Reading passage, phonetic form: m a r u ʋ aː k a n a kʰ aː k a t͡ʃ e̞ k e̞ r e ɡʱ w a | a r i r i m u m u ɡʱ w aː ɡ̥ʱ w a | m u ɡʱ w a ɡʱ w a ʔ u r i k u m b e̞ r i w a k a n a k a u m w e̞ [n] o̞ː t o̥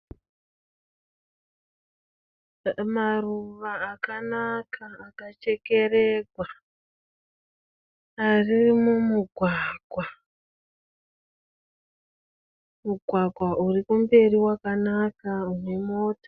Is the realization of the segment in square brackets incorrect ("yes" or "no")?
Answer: yes